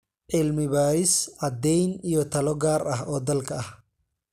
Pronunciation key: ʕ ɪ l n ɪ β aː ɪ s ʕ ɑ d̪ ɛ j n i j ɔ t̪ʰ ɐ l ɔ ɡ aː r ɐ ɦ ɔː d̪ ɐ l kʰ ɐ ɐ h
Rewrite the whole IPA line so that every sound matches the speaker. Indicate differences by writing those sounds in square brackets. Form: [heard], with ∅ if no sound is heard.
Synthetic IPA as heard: ʕ ɪ l [m] ɪ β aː ɪ s ʕ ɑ d̪ ɛ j n i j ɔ t̪ʰ ɐ l ɔ ɡ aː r ɐ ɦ ɔː d̪ ɐ l kʰ ɐ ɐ h